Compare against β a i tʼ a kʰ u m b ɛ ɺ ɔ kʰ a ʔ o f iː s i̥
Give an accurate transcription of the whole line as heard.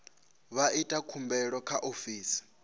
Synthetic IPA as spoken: β a i tʼ a kʰ u m b ɛ ɺ ɔ kʰ a ʔ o f iː s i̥

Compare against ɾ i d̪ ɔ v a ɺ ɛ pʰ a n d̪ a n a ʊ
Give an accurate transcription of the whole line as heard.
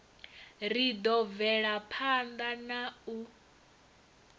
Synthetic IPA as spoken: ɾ i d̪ ɔ v ɛ ɺ a pʰ a n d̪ a n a u

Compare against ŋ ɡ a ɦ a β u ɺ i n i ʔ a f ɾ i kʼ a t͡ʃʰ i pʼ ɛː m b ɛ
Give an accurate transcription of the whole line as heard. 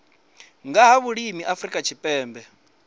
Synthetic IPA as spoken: ŋ ɡ a ɦ a β u ɺ i m i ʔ a f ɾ i kʼ a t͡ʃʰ i pʼ ɛː m b ɛ

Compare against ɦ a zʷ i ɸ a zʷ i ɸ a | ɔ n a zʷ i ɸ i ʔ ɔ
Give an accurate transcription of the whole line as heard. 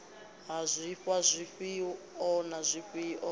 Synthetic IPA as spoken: ɦ a zʷ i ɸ a zʷ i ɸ i | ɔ n a zʷ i ɸ i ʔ ɔ

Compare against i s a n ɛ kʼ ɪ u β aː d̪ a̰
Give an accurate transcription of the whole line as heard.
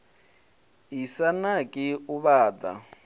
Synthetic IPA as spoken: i s a n a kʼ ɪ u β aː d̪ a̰

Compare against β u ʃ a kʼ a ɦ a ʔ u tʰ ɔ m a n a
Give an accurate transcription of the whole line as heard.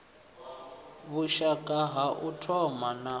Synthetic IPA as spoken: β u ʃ a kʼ a ɦ a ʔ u tʰ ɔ m a n a

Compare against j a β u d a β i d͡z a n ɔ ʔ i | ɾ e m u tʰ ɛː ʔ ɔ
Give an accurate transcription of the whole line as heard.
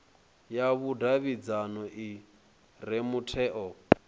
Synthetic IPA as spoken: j a β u d a β i d͡z a n ɔ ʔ i | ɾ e m u tʰ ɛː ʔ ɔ

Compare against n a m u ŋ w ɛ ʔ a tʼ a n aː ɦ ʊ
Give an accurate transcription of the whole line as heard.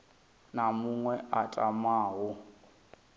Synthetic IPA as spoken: n a m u ŋ w ɛ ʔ a tʼ a m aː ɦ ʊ

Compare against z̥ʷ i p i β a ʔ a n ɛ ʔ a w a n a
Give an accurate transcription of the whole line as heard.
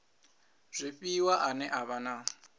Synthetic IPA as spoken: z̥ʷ i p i w a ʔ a n ɛ ʔ a β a n a

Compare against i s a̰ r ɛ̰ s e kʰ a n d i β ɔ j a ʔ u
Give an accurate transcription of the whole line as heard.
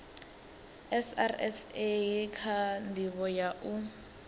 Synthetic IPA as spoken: ɛ s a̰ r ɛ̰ s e kʰ a n d i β ɔ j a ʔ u

